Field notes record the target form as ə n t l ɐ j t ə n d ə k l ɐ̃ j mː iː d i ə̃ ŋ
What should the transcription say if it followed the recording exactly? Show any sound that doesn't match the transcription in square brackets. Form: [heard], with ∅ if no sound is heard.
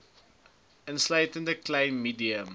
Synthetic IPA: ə n [s] l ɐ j t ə n d ə k l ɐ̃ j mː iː d i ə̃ [m]